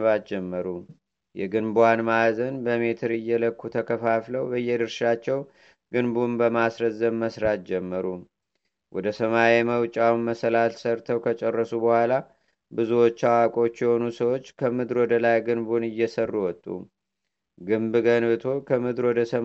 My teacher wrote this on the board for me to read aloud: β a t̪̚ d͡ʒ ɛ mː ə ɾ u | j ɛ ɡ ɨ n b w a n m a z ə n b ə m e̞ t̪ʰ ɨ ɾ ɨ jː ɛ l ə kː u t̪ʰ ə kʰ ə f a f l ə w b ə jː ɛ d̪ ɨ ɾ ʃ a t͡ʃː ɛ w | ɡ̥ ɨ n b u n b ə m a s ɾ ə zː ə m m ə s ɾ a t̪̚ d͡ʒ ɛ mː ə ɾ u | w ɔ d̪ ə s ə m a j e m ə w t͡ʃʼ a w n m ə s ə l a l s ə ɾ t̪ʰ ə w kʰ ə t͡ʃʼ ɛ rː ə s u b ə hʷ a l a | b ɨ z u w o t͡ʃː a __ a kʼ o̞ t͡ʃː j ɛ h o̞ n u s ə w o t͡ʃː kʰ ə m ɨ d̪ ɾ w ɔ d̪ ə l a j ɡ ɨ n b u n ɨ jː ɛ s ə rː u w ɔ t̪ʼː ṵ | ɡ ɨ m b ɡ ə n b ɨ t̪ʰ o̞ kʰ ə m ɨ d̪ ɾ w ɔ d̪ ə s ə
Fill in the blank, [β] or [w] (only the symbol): w